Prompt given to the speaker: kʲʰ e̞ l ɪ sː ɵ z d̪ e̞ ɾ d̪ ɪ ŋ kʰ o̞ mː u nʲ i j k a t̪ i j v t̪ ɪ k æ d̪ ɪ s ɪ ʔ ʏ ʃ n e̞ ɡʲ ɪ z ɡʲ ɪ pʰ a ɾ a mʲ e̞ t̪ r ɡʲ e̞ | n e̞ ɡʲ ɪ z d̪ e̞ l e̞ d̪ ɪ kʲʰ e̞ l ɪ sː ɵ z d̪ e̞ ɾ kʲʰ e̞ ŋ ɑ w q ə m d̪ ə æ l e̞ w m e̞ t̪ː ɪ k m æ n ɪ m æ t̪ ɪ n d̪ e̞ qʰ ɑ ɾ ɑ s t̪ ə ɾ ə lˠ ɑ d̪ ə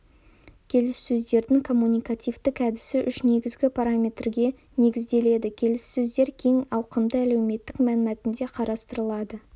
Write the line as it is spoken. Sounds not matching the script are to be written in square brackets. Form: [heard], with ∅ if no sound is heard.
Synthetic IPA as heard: kʲʰ e̞ l ɪ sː ɵ z d̪ e̞ ɾ d̪ ɪ ŋ kʰ o̞ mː u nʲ i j k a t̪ i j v t̪ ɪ k æ d̪ ɪ s ɪ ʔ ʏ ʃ n e̞ ɡʲ ɪ z ɡʲ ɪ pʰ a ɾ a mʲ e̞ t̪ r ɡʲ e̞ | n e̞ ɡʲ ɪ z d̪ e̞ l e̞ d̪ ɪ kʲʰ e̞ l ɪ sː ɵ z d̪ e̞ ɾ kʲʰ e̞ ŋ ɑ w q ə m d̪ ə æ l e̞ w m e̞ t̪ː ɪ k m æ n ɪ m æ t̪ ɪ n d̪ e̞ qʰ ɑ ɾ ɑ s t̪ ə ɾ ə lˠ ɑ d̪ ə